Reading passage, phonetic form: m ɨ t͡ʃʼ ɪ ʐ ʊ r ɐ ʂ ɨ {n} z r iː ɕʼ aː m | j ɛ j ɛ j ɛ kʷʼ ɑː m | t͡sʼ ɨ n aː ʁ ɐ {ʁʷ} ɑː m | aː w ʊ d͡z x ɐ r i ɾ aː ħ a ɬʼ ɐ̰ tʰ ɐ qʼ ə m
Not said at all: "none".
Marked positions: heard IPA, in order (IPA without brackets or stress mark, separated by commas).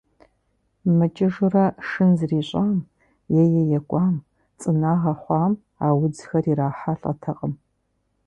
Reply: n, χʷ